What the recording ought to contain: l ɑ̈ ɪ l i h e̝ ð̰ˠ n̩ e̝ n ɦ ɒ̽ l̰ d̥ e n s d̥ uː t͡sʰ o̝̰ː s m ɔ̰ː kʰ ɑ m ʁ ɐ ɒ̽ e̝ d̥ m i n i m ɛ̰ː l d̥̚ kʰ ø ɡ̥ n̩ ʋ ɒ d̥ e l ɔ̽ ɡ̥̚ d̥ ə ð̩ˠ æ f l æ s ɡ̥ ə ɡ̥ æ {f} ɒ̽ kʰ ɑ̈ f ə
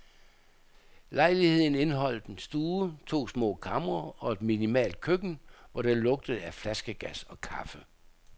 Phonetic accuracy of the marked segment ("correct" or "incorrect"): incorrect